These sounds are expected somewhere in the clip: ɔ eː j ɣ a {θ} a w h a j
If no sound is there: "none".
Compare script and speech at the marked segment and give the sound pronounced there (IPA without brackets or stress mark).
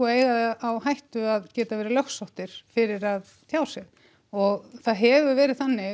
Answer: ð